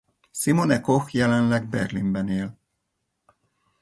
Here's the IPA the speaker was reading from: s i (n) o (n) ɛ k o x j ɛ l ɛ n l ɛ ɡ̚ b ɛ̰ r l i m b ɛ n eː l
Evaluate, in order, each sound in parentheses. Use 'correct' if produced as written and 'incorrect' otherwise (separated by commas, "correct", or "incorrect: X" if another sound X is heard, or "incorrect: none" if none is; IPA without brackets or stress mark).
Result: incorrect: m, correct